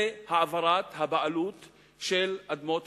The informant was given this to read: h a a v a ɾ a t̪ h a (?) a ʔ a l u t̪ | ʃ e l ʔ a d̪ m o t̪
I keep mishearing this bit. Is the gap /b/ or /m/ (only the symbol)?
b